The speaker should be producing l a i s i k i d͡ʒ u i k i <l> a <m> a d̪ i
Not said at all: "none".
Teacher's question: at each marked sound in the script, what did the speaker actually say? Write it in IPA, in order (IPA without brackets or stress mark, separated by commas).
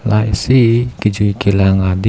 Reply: l, ŋ